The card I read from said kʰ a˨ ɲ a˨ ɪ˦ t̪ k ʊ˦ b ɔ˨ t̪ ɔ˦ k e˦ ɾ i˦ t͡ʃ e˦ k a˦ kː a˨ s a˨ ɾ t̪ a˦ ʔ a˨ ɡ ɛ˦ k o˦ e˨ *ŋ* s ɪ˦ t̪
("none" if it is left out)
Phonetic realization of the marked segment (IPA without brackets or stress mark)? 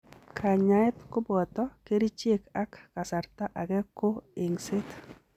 ŋ